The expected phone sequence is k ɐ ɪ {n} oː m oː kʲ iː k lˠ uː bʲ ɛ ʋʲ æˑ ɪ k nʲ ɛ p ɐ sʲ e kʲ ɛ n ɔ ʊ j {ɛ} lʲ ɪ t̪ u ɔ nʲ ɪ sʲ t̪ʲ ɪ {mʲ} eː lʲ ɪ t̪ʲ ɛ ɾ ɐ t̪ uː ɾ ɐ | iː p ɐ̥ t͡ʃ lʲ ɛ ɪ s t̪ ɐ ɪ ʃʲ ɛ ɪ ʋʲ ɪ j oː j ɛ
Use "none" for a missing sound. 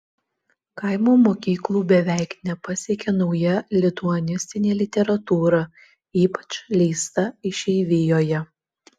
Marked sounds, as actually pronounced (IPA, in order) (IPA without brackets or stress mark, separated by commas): m, ɛ, nʲ